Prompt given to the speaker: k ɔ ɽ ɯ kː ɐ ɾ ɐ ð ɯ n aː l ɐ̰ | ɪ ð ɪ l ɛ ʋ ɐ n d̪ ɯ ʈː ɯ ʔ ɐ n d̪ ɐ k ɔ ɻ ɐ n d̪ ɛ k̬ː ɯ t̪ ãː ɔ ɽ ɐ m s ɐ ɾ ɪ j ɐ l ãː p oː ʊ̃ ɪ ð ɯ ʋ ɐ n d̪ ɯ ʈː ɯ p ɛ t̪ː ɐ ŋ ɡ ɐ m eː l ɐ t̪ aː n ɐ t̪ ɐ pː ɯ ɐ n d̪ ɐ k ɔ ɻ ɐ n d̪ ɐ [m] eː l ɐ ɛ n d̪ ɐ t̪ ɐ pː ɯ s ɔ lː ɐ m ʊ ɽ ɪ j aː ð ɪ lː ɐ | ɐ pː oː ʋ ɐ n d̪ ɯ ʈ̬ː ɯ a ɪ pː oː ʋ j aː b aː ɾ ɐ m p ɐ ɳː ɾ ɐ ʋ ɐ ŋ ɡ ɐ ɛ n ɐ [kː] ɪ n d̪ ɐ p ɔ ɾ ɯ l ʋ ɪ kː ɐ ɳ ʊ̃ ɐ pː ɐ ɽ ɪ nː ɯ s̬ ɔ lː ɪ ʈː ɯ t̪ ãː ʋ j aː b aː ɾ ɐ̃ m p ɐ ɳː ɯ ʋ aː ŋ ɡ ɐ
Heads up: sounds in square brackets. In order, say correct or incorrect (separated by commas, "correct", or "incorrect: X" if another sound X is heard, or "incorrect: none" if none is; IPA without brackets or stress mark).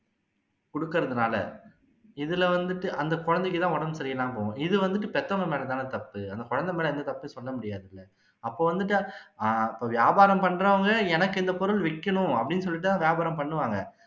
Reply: correct, correct